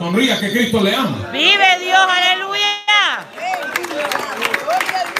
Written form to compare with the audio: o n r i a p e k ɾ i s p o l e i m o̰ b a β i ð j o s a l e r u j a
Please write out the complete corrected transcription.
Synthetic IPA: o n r i a k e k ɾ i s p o l e a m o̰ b i β e ð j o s a l e l u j a